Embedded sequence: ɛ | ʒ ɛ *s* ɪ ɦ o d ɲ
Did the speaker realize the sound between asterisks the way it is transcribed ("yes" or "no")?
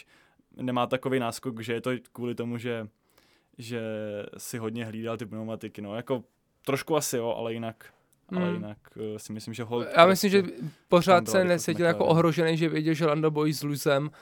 yes